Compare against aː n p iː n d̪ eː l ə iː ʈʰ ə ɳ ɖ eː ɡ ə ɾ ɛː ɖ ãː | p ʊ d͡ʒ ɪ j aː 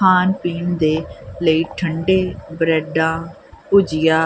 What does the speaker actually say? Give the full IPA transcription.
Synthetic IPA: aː n p iː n d̪ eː l ə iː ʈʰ ə ɳ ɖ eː b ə ɾ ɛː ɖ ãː | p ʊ d͡ʒ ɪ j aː